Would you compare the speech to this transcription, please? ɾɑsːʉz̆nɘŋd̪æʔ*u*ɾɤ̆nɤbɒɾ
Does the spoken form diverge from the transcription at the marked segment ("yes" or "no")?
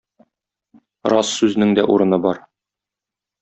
no